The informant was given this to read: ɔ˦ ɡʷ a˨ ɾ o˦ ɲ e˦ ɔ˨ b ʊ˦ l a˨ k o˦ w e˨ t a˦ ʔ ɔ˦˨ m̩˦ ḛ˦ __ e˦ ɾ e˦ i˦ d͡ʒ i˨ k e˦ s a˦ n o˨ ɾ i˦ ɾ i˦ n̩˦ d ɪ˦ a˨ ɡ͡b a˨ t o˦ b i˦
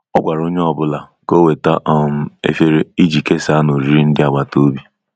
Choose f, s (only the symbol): f